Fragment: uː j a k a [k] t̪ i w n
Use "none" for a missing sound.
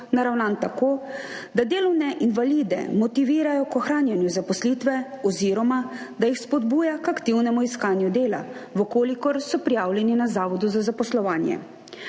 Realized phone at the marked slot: k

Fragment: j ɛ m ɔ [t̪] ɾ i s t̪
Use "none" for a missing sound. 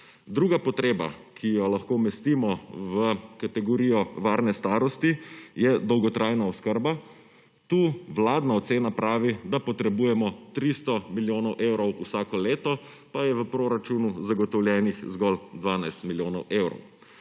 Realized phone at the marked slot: t̪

